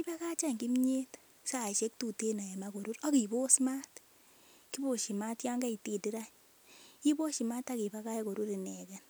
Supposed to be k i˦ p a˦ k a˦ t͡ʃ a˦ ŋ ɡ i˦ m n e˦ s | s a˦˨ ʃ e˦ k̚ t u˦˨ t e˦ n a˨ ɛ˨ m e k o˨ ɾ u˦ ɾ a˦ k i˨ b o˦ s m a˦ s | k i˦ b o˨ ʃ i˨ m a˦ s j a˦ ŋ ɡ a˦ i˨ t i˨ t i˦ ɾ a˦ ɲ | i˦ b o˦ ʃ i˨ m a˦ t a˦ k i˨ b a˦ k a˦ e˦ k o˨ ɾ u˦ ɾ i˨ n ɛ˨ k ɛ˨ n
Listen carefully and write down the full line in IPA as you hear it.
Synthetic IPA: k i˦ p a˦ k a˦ t͡ʃ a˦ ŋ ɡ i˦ m ɲ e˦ t | s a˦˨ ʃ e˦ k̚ t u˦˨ t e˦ n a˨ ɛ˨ m a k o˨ ɾ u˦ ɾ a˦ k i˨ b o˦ s m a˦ t | k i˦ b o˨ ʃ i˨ m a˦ t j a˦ ŋ ɡ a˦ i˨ t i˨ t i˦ ɾ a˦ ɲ | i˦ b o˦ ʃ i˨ m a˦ t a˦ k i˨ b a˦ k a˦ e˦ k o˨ ɾ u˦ ɾ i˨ n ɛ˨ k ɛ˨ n